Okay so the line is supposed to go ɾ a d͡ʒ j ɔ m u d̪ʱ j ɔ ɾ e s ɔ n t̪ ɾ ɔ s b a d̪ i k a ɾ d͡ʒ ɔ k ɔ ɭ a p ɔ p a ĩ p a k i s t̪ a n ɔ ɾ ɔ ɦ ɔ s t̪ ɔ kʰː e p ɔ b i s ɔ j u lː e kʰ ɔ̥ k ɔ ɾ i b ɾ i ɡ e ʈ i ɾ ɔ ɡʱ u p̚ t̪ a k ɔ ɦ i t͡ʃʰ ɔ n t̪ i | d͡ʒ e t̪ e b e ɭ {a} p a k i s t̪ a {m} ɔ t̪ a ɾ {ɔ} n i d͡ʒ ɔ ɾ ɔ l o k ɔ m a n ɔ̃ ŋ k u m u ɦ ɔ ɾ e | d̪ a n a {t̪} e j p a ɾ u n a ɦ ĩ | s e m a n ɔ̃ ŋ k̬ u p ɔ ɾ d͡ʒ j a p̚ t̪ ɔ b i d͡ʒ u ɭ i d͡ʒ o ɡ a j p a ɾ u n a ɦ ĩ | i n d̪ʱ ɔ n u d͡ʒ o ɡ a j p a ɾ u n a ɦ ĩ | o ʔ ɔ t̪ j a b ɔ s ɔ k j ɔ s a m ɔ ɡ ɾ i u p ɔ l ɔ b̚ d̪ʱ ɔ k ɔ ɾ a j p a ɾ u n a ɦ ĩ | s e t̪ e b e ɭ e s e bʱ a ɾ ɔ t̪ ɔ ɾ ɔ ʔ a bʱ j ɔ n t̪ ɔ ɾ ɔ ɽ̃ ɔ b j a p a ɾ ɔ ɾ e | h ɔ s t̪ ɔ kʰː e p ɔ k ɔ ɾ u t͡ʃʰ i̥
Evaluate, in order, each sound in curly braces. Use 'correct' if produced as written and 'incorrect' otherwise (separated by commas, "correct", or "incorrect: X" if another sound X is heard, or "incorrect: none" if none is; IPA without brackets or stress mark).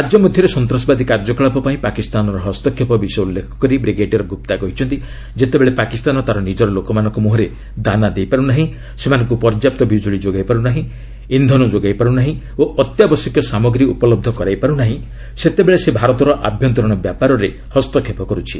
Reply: incorrect: e, incorrect: n, correct, incorrect: d̪